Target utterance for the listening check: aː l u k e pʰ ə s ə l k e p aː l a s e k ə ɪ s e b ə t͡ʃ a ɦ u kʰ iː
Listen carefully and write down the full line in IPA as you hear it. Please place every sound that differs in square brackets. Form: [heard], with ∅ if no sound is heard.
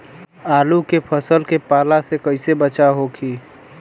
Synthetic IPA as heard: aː l u k e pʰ ə s ə l k e p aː l a s e k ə ɪ s e b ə t͡ʃ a ɦ [o] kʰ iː